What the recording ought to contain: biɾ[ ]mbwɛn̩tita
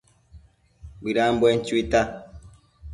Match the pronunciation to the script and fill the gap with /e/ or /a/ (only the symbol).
a